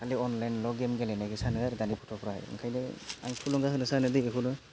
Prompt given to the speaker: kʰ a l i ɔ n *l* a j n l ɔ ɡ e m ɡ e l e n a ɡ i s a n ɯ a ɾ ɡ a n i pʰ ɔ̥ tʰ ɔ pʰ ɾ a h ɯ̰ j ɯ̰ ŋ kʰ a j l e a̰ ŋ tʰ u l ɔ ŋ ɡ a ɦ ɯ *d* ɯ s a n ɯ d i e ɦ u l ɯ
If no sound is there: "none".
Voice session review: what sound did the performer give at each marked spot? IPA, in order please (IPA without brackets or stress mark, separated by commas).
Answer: l, n